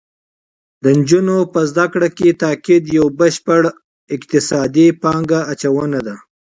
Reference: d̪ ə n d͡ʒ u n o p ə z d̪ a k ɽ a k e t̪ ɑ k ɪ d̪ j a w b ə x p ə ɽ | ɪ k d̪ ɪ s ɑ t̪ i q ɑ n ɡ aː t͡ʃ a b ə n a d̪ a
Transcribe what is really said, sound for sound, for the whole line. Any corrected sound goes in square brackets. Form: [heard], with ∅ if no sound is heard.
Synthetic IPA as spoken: d̪ ə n d͡ʒ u n o p ə z d̪ a k ɽ a k e t̪ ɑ k ɪ d̪ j a w b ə [ʃ] p ə ɽ | ɪ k [t̪] ɪ s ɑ [d̪] i [p] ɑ [ŋ] ɡ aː t͡ʃ a [w] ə n a d̪ a